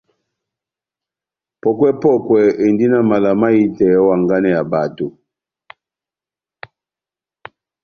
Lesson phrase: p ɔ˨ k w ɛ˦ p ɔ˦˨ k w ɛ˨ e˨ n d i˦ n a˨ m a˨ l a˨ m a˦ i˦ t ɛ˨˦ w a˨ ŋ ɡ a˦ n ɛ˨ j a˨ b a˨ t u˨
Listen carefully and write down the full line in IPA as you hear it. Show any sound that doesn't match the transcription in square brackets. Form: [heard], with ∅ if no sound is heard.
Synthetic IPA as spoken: p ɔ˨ k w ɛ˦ p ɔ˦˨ k w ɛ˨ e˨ n d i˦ n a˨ m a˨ l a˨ m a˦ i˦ t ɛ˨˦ w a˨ ŋ ɡ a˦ n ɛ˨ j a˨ b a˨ t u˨